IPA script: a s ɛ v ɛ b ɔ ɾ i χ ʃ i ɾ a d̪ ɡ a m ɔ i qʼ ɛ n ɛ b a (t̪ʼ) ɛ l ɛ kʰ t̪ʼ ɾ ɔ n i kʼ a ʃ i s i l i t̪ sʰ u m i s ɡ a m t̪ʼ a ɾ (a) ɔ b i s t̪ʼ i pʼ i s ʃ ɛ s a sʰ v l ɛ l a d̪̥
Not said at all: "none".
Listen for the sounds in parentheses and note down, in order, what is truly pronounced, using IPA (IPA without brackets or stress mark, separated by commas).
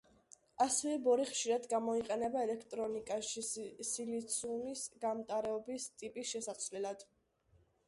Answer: none, ɛ